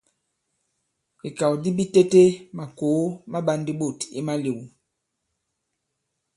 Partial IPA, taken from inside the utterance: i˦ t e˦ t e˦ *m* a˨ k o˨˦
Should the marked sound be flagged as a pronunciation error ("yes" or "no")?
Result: no